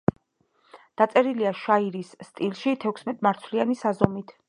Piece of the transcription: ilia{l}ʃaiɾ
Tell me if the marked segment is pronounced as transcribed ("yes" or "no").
no